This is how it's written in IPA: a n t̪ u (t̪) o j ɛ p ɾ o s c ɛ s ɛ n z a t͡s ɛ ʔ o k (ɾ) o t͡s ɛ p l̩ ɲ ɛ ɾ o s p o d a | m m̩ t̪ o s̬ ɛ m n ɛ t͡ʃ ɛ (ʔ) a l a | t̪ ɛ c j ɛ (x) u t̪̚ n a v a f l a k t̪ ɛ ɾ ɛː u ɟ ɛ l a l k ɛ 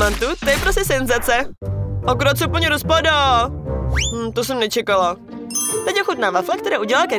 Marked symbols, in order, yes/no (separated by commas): yes, yes, no, yes